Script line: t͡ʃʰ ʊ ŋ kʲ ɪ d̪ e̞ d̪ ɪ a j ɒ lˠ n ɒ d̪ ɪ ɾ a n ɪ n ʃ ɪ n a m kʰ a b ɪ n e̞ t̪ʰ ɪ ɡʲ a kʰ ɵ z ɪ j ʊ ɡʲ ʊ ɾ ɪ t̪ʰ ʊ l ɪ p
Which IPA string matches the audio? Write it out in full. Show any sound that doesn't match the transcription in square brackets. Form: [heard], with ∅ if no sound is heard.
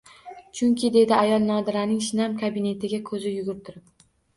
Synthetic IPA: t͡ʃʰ ʊ ŋ kʲ ɪ d̪ e̞ d̪ ɪ a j ɒ lˠ n ɒ d̪ ɪ ɾ a n ɪ [ŋ] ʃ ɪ n a m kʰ a b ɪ n e̞ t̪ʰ ɪ ɡʲ a kʰ ɵ z ɪ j ʊ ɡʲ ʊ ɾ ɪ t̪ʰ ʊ [ɾ] ɪ p